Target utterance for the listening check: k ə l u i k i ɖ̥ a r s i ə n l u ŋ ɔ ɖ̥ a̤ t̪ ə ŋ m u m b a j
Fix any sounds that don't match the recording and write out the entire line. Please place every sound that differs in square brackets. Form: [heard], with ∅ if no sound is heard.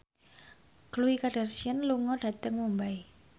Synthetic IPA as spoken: k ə l u i k [a] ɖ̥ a r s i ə n l u ŋ ɔ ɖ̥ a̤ t̪ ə ŋ m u m b a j